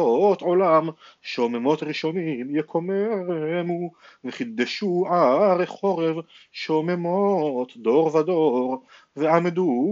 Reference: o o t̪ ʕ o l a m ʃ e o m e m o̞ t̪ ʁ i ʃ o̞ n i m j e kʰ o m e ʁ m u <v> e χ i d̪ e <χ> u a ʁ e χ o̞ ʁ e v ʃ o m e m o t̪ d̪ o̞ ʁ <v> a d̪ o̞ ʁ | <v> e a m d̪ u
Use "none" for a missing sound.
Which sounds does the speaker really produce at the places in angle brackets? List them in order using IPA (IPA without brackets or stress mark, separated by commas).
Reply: v, ʃ, v, v